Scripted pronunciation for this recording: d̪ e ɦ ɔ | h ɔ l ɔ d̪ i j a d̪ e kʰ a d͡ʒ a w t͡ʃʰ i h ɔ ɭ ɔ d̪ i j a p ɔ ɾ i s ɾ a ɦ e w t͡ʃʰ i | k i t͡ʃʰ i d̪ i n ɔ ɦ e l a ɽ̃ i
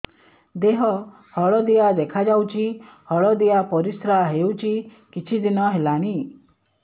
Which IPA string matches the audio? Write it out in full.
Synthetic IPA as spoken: d̪ e ɦ ɔ | h ɔ ɭ ɔ d̪ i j a d̪ e kʰ a d͡ʒ a w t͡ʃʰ i h ɔ ɭ ɔ d̪ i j a p ɔ ɾ i s ɾ a ɦ e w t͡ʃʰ i | k i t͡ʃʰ i d̪ i n ɔ ɦ e l a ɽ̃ i

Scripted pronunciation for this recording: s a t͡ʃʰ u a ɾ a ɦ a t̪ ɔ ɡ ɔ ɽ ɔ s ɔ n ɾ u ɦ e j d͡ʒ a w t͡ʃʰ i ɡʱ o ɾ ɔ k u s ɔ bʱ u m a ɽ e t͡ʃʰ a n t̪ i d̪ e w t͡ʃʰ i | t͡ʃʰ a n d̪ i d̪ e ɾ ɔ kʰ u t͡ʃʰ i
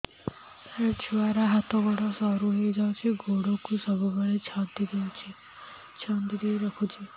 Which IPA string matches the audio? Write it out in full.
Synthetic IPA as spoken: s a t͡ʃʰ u a ɾ a ɦ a t̪ ɔ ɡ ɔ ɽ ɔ s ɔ ɾ u ɦ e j d͡ʒ a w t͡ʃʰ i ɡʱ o ɽ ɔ k u s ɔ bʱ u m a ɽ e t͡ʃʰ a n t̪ i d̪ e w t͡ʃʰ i | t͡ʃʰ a n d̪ i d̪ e ɾ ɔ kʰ u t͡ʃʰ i

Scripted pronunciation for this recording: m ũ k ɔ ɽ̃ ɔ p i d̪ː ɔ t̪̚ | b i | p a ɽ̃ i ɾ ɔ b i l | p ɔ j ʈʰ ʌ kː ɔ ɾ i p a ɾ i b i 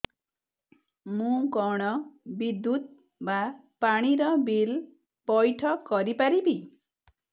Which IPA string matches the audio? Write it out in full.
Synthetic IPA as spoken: m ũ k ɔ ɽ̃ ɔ b i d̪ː u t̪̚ | b a | p a ɽ̃ i ɾ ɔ b i l | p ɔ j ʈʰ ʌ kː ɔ ɾ i p a ɾ i b i

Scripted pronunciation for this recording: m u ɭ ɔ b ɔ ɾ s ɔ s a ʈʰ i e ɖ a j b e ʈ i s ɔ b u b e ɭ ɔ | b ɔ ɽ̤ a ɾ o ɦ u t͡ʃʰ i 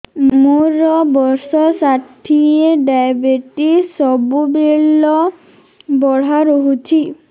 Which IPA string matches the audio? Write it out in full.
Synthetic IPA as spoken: m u ɾ ɔ b ɔ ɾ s ɔ s a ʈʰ i e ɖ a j b e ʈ i s ɔ b u b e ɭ ɔ | b ɔ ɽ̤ a ɾ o ɦ u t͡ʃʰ i

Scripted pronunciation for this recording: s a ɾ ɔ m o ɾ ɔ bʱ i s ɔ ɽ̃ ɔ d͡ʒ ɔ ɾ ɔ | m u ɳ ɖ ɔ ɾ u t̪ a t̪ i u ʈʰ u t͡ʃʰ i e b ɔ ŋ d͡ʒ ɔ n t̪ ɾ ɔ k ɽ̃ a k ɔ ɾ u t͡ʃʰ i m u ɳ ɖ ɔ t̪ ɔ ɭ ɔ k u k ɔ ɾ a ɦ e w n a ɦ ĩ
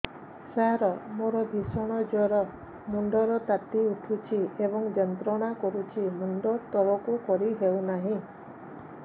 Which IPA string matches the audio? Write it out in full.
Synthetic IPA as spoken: s a ɾ ɔ m o ɾ ɔ bʱ i s ɔ ɽ̃ ɔ d͡ʒ ɔ ɾ ɔ | m u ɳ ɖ ɔ ɾ ɔ t̪ a t̪ i u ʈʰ u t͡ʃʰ i e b ɔ ŋ d͡ʒ ɔ n t̪ ɾ ɔ ɽ̃ a k ɔ ɾ u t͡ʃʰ i m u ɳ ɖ ɔ t̪ ɔ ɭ ɔ k u k ɔ ɾ i ɦ e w n a ɦ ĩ

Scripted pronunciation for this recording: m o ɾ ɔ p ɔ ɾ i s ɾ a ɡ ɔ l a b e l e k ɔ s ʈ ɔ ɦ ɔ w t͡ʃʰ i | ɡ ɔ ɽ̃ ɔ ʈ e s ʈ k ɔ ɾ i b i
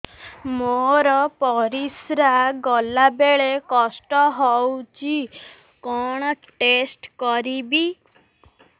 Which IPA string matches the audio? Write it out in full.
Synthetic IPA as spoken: m o ɾ ɔ p ɔ ɾ i s ɾ a ɡ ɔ l a b e ɭ e k ɔ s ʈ ɔ ɦ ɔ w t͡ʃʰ i | k ɔ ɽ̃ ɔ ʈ e s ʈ k ɔ ɾ i b i

